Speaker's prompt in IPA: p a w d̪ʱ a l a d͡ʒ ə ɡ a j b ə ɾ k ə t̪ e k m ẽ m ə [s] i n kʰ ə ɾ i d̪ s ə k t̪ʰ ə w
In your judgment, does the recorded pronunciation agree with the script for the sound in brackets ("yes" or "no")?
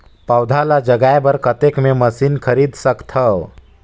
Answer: yes